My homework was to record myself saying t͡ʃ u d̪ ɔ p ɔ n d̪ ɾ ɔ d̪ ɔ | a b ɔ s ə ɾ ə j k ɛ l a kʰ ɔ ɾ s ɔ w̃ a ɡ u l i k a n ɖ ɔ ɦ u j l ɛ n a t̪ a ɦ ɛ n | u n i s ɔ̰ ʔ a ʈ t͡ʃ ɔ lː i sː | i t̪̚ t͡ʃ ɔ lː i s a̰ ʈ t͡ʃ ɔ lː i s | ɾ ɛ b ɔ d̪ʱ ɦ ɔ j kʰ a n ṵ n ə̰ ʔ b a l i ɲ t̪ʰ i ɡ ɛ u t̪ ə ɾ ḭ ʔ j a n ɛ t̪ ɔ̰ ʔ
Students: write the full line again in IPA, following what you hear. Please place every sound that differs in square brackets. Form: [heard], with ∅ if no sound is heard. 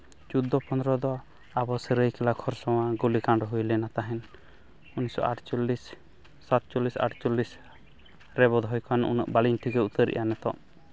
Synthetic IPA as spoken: t͡ʃ u d̪ ɔ p ɔ n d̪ ɾ ɔ d̪ ɔ | a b ɔ s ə ɾ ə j k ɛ l a kʰ ɔ ɾ s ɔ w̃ a ɡ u l i k a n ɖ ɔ ɦ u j l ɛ n a t̪ a ɦ ɛ n | u n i s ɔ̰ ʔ a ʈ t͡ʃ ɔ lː i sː | [a] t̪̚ t͡ʃ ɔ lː i s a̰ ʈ t͡ʃ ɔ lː i s | ɾ ɛ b ɔ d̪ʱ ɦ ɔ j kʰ a n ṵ n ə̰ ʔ b a l i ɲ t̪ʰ i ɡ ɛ u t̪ ə ɾ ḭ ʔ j a n ɛ t̪ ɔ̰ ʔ